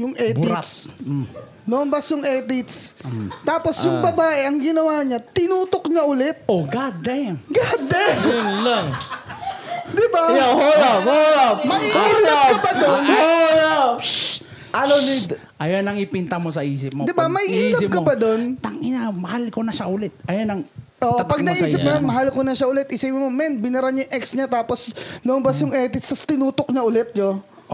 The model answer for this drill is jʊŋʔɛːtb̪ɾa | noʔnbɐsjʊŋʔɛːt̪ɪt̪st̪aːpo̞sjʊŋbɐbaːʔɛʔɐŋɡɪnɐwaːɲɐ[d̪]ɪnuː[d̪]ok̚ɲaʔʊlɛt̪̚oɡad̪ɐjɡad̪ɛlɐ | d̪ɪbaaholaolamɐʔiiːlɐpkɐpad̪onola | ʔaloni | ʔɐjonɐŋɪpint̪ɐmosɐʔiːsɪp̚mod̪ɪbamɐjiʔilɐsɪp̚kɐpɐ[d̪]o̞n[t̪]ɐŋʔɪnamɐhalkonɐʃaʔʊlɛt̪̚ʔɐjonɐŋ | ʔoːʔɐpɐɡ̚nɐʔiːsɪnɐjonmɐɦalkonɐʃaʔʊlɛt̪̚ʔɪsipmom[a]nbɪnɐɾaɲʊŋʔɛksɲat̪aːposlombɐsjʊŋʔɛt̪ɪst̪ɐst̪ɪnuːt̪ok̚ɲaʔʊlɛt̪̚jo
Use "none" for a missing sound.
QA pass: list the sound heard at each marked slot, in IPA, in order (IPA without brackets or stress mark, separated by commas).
t̪, t̪, d̪, t̪, ɛ